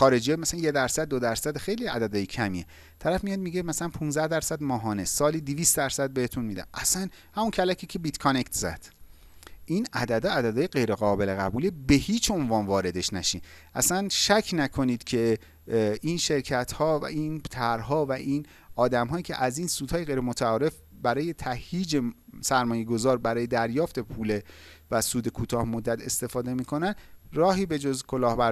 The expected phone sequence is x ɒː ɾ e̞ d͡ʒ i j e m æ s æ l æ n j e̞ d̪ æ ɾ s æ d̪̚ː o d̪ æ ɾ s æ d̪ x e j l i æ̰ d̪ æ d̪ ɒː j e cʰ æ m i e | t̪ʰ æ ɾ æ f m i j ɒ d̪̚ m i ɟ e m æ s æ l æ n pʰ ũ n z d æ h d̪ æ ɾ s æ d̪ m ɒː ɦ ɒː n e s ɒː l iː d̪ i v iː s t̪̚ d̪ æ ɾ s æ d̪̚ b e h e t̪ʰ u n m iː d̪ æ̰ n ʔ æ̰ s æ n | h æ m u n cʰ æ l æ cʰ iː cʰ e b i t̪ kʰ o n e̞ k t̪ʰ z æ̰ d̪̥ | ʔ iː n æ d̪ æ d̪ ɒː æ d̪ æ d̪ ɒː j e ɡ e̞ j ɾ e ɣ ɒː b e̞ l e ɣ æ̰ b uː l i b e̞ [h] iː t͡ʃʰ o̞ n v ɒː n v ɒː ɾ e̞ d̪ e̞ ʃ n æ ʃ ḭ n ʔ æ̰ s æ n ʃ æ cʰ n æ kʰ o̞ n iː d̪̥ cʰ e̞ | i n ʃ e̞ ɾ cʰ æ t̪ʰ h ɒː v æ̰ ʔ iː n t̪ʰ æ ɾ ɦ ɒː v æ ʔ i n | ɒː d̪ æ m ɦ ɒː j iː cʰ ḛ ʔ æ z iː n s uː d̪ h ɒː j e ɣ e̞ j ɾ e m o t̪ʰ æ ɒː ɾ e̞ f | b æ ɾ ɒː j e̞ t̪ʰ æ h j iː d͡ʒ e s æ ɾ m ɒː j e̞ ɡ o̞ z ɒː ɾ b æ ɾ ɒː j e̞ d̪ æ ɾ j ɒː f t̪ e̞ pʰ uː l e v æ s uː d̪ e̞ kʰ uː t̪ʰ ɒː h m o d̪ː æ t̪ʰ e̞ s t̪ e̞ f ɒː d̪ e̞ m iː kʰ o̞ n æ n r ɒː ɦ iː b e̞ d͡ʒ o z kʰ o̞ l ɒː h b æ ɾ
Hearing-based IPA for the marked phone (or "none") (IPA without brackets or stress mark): h